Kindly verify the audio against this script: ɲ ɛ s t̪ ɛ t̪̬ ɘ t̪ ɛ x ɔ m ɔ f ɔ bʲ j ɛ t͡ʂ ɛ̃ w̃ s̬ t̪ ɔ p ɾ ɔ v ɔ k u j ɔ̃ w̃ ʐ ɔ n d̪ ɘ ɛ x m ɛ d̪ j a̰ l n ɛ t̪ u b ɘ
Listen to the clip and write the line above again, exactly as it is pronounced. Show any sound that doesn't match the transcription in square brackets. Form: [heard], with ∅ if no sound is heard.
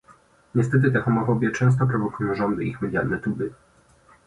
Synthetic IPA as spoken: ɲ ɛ s t̪ ɛ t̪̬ ɘ t̪ ɛ x ɔ m ɔ f ɔ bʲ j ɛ t͡ʂ ɛ̃ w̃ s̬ t̪ ɔ p ɾ ɔ v ɔ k u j ɔ̃ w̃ ʐ ɔ n d̪ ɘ [i] x m ɛ d̪ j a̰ l n ɛ t̪ u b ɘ